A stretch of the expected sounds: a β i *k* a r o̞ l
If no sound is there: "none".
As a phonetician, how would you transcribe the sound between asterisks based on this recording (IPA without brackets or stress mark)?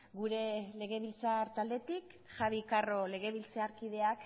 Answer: k